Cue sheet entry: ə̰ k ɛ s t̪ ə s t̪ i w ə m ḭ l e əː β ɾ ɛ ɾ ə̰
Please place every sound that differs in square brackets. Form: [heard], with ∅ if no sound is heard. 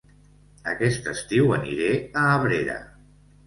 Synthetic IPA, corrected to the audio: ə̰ k ɛ s t̪ ə s t̪ i w ə [n] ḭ [ɾ] e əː β ɾ [e] ɾ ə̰